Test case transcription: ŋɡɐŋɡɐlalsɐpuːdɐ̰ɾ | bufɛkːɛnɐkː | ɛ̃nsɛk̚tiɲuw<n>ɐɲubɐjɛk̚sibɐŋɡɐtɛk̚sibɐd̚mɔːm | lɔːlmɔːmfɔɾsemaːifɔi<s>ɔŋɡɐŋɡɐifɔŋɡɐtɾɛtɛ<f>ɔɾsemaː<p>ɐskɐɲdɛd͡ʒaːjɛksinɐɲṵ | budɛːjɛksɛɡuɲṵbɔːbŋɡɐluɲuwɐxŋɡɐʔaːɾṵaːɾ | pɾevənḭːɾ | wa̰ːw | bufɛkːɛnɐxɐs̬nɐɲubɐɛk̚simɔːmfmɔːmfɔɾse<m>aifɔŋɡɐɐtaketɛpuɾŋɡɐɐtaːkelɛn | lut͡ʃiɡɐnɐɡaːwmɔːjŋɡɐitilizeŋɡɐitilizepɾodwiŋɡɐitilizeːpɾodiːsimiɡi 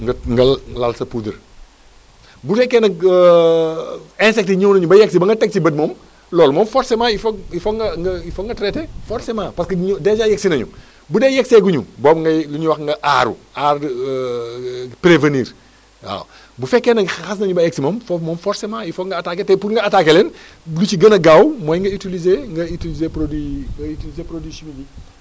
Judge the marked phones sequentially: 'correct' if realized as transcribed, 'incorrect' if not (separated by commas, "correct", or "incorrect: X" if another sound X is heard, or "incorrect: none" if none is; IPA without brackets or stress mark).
correct, incorrect: f, correct, correct, correct